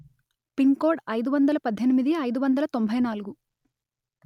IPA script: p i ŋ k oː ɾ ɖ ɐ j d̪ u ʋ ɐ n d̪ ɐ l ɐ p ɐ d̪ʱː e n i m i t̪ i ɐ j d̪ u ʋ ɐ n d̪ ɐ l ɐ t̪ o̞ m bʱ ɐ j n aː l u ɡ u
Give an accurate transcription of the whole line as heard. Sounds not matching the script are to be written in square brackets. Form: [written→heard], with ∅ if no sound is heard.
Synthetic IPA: p i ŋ k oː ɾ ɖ ɐ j d̪ u ʋ ɐ n d̪ ɐ l ɐ p ɐ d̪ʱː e n i m i [t̪→d̪] i ɐ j d̪ u ʋ ɐ n d̪ ɐ l ɐ t̪ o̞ m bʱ ɐ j n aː l u ɡ u